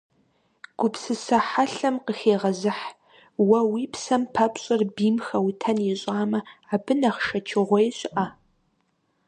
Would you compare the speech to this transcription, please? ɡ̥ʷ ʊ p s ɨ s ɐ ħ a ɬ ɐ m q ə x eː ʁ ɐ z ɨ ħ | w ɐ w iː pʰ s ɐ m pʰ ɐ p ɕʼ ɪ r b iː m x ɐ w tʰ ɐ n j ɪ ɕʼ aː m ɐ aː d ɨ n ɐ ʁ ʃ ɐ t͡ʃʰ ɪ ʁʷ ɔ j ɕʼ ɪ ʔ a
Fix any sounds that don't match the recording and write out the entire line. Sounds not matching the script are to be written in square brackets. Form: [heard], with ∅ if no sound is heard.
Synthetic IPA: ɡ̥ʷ ʊ p s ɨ s ɐ ħ a ɬ ɐ m q ə x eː ʁ ɐ z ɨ ħ | w ɐ w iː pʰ s ɐ m pʰ ɐ p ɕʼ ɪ r b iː m x ɐ w tʰ ɐ n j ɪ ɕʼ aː m ɐ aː [b] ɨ n ɐ [χ] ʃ ɐ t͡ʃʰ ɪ ʁʷ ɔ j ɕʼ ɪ ʔ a

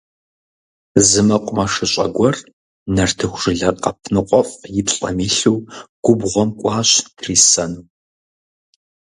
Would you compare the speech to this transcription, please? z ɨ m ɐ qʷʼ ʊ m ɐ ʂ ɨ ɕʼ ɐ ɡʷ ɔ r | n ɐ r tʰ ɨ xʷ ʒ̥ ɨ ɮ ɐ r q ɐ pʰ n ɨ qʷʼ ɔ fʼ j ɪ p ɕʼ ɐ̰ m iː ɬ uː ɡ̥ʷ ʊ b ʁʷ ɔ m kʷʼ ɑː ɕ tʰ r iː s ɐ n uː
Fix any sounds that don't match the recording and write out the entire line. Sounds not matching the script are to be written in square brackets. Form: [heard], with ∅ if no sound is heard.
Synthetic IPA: z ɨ m ɐ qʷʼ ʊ m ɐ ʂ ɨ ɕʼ ɐ ɡʷ ɔ r | n ɐ r tʰ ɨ xʷ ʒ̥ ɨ ɮ ɐ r q ɐ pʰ n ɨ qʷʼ ɔ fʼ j ɪ p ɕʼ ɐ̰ m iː ɬ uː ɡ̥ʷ ʊ b ʁʷ ɔ m kʷʼ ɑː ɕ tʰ r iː s ɐ n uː

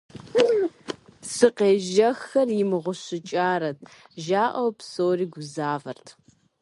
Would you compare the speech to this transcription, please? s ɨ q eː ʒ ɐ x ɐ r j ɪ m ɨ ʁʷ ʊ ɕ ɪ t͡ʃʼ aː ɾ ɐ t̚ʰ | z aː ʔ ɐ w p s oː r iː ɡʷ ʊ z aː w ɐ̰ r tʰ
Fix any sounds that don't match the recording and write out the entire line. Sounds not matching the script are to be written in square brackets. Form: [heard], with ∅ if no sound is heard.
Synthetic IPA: s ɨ q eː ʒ ɐ x ɐ r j ɪ m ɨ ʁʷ ʊ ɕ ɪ t͡ʃʼ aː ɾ ɐ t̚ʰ | [ʒ] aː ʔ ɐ w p s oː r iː ɡʷ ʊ z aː [v] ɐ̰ r tʰ

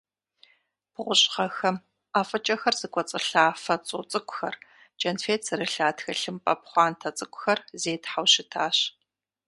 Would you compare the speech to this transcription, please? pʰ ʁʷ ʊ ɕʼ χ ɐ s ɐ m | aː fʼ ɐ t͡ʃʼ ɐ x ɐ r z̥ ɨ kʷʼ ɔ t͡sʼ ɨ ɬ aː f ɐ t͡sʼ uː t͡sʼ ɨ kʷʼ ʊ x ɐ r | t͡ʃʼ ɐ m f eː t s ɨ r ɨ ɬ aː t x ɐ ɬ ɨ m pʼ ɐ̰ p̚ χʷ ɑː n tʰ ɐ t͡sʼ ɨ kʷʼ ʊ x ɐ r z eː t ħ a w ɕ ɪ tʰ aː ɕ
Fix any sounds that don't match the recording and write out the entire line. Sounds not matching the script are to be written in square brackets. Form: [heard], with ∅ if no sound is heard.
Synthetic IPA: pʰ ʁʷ ʊ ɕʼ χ ɐ [x] ɐ m | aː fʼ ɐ t͡ʃʼ ɐ x ɐ r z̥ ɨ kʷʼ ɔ t͡sʼ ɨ ɬ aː f ɐ t͡sʼ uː t͡sʼ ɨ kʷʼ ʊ x ɐ r | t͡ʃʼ ɐ [n] f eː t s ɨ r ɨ ɬ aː t x ɐ ɬ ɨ m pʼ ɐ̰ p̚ χʷ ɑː n tʰ ɐ t͡sʼ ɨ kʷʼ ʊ x ɐ r z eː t ħ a w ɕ ɪ tʰ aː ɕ

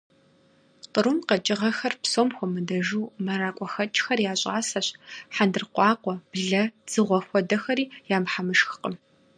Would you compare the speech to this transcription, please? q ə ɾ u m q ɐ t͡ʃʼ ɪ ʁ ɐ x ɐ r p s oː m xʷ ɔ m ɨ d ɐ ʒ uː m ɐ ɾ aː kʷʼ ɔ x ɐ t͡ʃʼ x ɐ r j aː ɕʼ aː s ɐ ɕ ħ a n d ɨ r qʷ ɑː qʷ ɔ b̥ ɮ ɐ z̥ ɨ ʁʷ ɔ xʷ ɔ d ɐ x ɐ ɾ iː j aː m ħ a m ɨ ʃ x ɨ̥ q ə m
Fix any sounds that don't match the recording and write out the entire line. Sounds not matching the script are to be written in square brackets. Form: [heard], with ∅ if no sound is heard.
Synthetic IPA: q ə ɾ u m q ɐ t͡ʃʼ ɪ ʁ ɐ x ɐ r p s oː m xʷ ɔ m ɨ d ɐ ʒ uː m ɐ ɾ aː kʷʼ ɔ x ɐ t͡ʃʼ x ɐ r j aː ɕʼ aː s ɐ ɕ ħ a n d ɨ r qʷ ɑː qʷ ɔ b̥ ɮ ɐ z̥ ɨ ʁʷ ɔ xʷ ɔ d ɐ x ɐ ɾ iː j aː m ħ a m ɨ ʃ x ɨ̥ q ə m

